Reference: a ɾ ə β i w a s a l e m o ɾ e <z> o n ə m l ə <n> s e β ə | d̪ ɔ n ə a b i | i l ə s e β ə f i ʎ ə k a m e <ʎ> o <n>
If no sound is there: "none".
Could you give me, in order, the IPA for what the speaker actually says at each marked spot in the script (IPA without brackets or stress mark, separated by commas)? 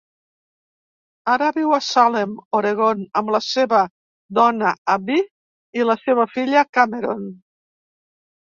ɣ, none, ɾ, n